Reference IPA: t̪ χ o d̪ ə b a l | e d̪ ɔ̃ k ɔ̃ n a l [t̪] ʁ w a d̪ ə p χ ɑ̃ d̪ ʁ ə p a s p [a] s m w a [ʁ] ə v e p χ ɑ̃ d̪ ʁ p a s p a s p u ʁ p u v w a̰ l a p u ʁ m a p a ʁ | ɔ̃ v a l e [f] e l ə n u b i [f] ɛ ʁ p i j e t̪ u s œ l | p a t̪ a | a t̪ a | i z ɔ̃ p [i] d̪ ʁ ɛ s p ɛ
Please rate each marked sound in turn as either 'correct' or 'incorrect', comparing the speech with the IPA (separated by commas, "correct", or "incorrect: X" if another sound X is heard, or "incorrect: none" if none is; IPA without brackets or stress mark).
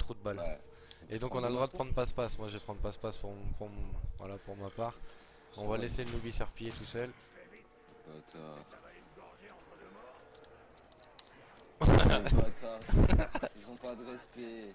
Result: incorrect: d̪, correct, incorrect: ʒ, incorrect: s, incorrect: s, incorrect: a